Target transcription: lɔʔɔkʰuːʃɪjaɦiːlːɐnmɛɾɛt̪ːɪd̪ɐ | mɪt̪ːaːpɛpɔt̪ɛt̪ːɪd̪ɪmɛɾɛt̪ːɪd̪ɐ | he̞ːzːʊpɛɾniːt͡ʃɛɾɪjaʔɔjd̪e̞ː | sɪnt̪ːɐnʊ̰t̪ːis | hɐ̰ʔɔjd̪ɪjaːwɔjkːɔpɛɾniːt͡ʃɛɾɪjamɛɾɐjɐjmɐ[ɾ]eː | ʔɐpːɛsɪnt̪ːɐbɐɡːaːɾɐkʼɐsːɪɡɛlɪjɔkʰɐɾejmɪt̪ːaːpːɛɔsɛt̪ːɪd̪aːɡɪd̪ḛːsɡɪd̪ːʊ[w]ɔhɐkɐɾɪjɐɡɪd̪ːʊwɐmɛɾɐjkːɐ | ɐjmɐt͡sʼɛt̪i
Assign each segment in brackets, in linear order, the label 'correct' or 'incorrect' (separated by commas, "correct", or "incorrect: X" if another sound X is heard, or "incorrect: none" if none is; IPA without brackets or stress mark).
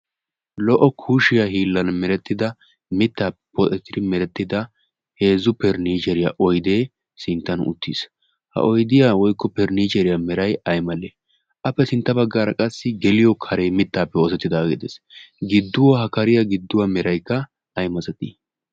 incorrect: l, correct